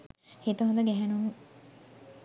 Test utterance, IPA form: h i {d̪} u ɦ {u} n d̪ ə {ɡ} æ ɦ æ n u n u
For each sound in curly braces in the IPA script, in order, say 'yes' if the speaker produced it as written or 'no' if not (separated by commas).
no, no, yes